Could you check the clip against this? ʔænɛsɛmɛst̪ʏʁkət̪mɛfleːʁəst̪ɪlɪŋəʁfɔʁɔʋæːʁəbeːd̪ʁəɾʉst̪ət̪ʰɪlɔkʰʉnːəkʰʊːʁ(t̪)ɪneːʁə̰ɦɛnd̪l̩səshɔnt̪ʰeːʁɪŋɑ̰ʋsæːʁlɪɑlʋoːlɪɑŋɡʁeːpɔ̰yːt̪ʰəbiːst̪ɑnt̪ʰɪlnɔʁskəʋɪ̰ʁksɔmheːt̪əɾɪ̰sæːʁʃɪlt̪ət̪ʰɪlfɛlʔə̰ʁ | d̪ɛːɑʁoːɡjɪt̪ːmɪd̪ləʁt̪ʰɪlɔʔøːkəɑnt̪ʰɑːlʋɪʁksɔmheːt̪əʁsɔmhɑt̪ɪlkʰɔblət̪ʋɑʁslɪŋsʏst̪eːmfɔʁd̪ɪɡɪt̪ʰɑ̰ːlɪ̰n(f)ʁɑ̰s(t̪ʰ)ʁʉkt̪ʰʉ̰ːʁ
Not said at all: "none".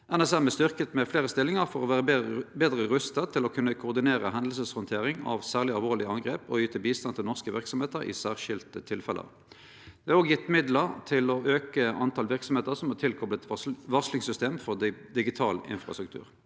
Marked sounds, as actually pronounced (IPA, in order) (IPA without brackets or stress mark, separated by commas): d̪, f, t̪